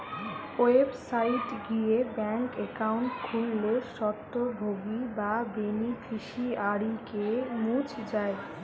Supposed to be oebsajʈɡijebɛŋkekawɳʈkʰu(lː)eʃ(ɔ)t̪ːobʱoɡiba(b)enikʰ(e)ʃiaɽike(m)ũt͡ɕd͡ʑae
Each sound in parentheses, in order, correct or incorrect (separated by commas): correct, correct, correct, incorrect, correct